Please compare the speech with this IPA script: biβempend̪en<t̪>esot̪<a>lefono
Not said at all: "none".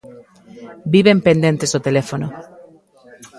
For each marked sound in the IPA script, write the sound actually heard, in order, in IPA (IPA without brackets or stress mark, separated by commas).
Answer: t̪, e